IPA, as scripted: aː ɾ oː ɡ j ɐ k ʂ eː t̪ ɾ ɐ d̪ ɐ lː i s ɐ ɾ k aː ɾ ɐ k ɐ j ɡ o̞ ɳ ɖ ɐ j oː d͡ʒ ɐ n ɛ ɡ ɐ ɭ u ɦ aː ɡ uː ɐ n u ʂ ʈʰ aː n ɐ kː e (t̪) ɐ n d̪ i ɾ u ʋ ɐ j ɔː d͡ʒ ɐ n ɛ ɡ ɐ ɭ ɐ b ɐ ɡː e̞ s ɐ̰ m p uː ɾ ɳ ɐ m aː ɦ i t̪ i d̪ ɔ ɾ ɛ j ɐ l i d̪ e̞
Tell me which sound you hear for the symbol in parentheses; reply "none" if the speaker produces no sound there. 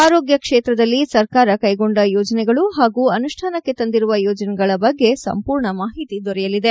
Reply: t̪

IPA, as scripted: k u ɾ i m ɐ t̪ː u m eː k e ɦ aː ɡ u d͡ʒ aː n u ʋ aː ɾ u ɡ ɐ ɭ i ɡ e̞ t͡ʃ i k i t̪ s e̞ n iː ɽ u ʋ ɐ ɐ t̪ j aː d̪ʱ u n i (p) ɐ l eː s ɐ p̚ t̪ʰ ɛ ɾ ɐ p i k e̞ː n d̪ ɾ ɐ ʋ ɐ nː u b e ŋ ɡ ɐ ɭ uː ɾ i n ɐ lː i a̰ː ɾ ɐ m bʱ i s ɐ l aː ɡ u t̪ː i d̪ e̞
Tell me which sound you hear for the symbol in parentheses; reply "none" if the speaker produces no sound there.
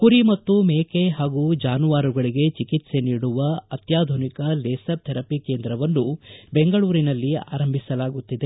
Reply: k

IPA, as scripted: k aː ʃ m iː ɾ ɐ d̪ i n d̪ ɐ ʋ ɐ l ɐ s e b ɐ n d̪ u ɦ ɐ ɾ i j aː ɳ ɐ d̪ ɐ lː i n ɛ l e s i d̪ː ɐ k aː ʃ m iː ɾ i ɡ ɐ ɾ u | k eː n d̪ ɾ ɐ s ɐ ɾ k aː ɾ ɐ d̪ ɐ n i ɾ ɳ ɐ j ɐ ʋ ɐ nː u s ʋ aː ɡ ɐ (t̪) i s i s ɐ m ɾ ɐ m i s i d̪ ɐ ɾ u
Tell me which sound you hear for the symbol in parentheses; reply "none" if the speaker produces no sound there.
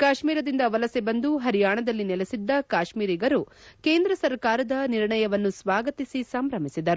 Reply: t̪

